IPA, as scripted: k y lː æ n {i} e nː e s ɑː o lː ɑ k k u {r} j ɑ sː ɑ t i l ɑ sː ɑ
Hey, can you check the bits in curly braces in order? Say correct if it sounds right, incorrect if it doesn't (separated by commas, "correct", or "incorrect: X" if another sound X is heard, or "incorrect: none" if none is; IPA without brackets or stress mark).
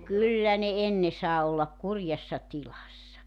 incorrect: e, correct